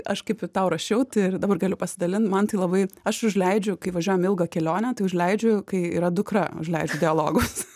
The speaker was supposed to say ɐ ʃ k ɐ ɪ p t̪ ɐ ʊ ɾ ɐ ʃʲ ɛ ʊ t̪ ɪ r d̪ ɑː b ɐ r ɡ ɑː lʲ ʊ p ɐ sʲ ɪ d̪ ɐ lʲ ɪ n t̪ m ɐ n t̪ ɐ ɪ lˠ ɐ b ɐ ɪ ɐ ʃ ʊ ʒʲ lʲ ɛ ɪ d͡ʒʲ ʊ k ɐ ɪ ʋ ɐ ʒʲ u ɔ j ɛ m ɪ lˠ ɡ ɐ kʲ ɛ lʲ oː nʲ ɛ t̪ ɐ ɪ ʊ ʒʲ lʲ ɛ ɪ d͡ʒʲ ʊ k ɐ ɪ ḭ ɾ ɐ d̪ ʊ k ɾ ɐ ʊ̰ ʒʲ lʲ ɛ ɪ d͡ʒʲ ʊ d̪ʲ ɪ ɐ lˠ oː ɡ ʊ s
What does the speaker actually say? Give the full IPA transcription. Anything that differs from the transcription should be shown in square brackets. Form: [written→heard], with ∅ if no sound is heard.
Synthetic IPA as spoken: ɐ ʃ k ɐ ɪ p t̪ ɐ ʊ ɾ ɐ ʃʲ ɛ ʊ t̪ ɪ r d̪ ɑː b ɐ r ɡ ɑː lʲ ʊ p ɐ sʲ ɪ d̪ ɐ lʲ ɪ n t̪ m ɐ n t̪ ɐ ɪ lˠ ɐ b ɐ ɪ ɐ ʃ ʊ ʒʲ lʲ ɛ ɪ d͡ʒʲ ʊ k ɐ ɪ ʋ ɐ ʒʲ u ɔ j ɛ m ɪ lˠ ɡ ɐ kʲ ɛ lʲ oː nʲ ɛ t̪ ɐ ɪ ʊ ʒʲ lʲ ɛ ɪ d͡ʒʲ ʊ k ɐ ɪ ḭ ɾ ɐ d̪ ʊ k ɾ ɐ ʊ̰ ʒʲ lʲ ɛ ɪ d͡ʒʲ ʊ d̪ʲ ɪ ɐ lˠ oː ɡ ʊ s